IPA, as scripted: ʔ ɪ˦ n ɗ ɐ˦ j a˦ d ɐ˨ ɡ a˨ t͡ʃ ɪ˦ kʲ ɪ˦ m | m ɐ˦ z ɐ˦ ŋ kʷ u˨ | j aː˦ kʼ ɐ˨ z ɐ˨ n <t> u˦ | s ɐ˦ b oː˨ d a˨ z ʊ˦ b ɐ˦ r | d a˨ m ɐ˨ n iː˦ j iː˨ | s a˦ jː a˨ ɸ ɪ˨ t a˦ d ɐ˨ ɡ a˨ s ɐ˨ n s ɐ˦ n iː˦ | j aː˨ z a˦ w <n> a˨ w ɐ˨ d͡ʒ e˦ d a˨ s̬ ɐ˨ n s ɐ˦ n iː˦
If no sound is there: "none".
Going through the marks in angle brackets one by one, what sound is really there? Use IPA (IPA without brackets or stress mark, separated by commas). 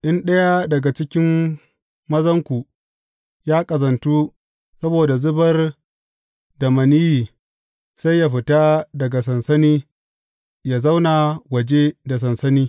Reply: t, n